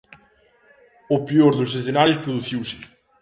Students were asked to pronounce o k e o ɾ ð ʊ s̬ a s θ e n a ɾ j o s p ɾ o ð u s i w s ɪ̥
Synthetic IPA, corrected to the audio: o p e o ɾ ð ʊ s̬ e s θ e n a ɾ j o s p ɾ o ð u θ i w s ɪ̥